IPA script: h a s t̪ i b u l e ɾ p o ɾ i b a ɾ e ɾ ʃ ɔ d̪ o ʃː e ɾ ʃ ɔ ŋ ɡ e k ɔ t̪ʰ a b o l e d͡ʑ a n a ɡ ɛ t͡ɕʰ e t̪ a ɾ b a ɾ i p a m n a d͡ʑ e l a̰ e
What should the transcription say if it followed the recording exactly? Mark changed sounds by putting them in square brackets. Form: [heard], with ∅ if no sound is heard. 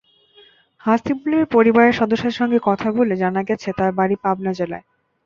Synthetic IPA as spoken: h a s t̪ i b u l e ɾ p o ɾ i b a ɾ e ɾ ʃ ɔ d̪ o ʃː e ɾ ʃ ɔ ŋ ɡ e k ɔ t̪ʰ a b o l e d͡ʑ a n a ɡ ɛ t͡ɕʰ e t̪ a ɾ b a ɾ i p a [b] n a d͡ʑ e l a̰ e